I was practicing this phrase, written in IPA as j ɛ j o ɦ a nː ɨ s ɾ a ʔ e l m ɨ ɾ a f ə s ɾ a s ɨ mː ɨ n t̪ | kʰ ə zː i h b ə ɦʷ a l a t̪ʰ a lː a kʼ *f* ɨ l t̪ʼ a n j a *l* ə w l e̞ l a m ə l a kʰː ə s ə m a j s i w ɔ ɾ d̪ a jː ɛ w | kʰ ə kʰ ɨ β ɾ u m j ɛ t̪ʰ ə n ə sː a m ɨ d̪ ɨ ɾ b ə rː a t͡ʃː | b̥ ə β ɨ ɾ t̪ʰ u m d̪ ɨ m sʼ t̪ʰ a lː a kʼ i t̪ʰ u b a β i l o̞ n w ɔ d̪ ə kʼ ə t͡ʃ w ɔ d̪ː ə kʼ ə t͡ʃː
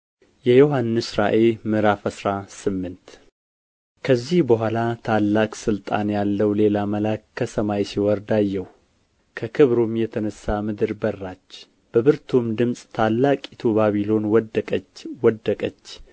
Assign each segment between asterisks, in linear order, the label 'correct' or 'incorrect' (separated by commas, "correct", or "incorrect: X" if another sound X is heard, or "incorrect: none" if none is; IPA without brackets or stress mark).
incorrect: s, incorrect: lː